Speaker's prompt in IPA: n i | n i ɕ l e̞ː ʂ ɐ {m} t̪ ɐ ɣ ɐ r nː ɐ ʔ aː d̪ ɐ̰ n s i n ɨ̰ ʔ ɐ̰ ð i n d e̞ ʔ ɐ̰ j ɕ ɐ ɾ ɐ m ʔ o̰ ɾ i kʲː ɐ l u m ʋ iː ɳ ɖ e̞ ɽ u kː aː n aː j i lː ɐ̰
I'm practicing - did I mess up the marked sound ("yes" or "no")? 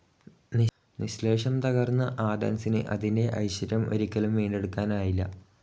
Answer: no